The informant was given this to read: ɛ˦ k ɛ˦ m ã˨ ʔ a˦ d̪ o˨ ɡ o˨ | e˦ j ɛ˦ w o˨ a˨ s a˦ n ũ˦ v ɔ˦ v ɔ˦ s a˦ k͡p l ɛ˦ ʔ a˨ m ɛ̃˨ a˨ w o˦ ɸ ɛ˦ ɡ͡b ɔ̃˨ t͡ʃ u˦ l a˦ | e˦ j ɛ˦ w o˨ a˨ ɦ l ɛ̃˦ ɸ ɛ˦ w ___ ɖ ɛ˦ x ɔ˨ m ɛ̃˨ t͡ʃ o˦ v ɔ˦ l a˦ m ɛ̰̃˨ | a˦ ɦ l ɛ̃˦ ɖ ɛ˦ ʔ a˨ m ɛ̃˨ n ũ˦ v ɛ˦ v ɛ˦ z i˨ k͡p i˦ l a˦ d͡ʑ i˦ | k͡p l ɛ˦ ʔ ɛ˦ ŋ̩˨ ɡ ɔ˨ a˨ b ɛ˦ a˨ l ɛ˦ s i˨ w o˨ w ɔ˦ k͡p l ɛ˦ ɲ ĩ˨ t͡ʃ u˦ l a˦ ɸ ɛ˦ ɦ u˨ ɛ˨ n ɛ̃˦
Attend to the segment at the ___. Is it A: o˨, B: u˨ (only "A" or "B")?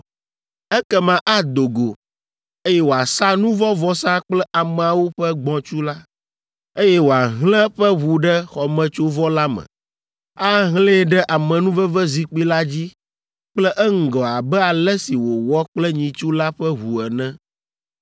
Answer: B